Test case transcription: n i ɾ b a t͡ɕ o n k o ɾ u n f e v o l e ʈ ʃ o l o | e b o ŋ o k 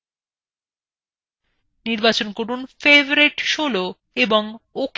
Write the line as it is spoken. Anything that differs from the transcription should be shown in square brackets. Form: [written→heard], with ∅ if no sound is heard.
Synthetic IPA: n i ɾ b a t͡ɕ o n k o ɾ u n f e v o [l→ɾ] e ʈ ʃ o l o | e b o ŋ o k